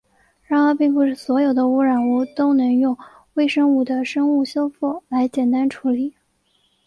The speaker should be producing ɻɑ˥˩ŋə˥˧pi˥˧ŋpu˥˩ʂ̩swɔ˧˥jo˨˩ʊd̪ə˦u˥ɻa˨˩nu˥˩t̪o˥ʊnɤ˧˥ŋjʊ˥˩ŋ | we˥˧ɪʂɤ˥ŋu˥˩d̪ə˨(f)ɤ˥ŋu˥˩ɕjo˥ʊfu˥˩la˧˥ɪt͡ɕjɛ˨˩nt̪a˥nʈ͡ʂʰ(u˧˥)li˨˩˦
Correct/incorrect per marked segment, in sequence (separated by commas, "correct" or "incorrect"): incorrect, correct